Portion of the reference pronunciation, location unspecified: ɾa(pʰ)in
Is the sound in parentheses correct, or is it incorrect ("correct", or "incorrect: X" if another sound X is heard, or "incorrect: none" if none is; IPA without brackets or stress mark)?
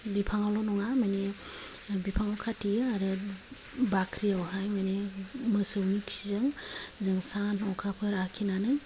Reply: incorrect: kʰ